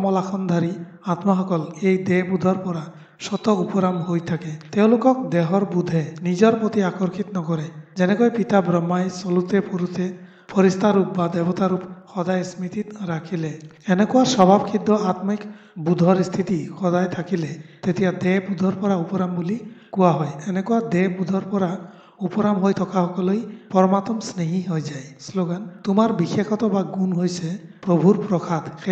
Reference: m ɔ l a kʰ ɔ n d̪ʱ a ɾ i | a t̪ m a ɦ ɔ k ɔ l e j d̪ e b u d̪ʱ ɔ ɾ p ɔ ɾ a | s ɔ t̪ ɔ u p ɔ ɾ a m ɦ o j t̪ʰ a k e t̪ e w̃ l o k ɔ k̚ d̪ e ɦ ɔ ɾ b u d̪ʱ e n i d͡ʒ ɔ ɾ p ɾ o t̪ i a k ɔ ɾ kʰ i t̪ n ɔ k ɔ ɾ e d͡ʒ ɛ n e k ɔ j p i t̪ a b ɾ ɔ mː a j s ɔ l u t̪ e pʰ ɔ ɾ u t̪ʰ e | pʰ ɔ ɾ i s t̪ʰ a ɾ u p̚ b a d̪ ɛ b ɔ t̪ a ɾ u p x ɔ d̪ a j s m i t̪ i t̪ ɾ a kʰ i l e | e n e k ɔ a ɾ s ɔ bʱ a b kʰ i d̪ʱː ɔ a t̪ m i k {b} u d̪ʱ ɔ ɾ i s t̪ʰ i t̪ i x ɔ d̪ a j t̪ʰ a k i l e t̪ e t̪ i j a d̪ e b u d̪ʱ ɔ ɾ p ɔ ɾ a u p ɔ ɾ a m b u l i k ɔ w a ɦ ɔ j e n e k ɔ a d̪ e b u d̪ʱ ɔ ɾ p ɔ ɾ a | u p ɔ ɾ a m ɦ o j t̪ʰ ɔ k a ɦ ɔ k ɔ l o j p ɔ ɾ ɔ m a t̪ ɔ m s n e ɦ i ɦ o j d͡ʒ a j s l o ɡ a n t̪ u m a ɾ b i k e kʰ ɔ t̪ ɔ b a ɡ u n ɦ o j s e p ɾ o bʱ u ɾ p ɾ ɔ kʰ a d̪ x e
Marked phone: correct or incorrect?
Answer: correct